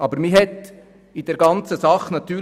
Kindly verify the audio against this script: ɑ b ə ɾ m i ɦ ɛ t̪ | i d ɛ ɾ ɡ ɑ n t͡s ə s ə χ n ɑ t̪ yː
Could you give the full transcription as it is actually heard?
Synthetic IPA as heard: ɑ b ə ɾ m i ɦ ɛ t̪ | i d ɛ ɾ ɡ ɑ n t͡s ə s ɑ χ n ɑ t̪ yː